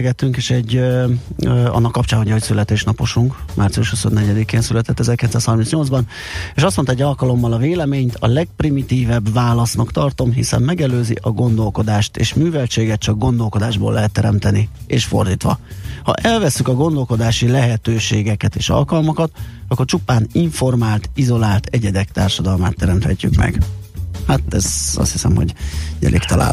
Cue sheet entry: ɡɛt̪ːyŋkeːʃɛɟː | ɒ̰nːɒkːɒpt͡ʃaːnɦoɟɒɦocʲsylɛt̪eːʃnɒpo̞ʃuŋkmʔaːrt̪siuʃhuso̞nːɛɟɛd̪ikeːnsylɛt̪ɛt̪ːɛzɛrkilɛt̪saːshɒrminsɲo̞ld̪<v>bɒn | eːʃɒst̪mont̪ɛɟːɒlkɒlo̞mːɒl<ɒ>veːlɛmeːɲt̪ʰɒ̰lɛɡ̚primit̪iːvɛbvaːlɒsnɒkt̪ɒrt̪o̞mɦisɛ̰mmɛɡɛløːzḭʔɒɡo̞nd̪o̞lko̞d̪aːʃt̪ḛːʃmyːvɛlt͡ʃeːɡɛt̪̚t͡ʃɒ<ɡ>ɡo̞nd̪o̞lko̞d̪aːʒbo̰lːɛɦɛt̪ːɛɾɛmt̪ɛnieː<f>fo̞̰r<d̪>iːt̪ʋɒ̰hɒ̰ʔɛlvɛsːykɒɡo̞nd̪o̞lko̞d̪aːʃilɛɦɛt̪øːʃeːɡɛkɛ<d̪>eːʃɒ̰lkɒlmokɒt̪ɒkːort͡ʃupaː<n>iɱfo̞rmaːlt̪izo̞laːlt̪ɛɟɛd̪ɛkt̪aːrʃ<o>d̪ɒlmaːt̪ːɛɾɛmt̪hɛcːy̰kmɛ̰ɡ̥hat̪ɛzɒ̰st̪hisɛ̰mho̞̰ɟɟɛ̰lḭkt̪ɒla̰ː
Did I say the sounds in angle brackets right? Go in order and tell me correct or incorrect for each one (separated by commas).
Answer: incorrect, correct, correct, incorrect, correct, incorrect, correct, incorrect